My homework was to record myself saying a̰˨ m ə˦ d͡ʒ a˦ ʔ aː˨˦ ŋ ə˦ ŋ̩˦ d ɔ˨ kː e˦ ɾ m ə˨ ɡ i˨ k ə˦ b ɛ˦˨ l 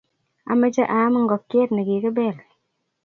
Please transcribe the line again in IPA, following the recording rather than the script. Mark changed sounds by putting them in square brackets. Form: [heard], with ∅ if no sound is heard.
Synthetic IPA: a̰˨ m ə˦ d͡ʒ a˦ ʔ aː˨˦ [m] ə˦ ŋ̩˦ [ɡ] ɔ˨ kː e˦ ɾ [n] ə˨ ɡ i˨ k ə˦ b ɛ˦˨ l

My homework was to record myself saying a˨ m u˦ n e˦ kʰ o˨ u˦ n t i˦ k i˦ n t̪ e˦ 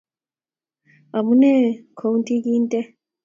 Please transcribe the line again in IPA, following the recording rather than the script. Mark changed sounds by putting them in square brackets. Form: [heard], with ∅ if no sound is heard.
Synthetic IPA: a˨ m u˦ n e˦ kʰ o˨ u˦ n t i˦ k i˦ n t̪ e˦

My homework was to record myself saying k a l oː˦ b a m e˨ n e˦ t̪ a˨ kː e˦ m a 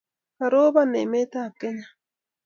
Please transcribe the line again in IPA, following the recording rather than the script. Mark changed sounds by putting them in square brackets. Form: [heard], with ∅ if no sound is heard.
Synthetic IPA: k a [ɾ] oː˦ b a [n] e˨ [m] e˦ t̪ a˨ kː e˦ [ɲ] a

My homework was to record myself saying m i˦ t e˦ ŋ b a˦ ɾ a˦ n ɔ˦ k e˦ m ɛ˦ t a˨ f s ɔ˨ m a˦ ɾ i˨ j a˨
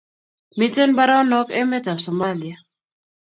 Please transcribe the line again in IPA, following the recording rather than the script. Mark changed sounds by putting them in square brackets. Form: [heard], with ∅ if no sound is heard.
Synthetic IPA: m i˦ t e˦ [n] b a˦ ɾ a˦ n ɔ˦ k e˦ m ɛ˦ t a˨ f s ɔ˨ m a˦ [l] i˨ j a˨

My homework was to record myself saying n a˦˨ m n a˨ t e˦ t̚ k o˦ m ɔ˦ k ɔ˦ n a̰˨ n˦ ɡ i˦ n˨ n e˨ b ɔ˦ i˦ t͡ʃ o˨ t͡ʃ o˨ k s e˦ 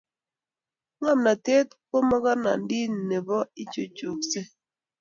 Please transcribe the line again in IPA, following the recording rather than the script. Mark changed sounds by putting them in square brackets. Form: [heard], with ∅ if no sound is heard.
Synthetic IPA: [ŋ] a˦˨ m n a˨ t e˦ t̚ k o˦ m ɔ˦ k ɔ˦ n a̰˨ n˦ [d] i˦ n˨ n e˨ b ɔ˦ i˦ t͡ʃ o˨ t͡ʃ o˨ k s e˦

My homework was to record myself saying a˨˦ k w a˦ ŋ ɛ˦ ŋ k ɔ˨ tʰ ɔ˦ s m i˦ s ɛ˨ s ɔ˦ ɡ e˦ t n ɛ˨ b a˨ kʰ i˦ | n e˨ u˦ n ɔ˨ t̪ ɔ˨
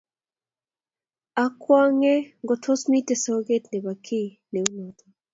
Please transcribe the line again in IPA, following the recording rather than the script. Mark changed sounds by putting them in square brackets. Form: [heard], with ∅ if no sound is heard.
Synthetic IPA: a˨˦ k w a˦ ŋ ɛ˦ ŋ [ɡ] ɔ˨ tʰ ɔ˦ s m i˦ [t] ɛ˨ s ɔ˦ ɡ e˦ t n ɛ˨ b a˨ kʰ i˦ | n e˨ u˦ n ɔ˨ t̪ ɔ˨

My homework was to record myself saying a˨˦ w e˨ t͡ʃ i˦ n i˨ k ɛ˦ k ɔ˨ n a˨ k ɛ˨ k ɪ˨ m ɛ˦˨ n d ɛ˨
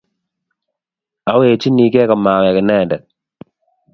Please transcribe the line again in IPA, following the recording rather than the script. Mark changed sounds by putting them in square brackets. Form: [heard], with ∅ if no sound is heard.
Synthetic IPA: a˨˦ w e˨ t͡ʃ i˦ n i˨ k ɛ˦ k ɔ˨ [m] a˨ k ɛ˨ k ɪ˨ [n] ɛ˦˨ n d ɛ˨

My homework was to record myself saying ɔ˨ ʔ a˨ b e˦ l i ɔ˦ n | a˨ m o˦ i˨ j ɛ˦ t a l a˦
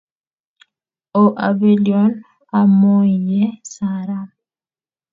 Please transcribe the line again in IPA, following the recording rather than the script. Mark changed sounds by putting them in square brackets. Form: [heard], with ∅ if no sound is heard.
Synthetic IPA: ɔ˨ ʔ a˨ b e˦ l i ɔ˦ n | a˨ m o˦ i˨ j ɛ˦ [s] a [ɾ] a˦

